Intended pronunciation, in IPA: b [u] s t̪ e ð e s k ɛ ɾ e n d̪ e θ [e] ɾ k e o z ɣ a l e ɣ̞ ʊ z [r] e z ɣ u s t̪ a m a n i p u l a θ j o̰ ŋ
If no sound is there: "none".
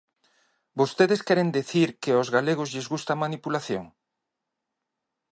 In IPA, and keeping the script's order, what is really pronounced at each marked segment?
o, i, ʎ

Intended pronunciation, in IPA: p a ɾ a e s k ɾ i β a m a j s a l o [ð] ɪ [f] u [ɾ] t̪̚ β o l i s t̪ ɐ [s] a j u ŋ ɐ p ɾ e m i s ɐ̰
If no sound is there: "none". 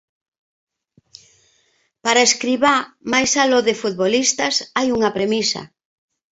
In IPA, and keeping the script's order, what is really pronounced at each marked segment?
ð, f, none, s

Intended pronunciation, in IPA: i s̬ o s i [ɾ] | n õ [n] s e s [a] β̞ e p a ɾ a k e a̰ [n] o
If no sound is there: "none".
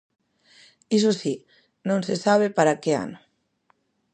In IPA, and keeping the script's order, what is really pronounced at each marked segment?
none, n, a, n

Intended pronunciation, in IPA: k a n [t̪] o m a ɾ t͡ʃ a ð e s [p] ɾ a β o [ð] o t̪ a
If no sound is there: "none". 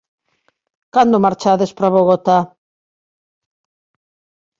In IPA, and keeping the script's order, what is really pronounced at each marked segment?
d̪, p, ɣ

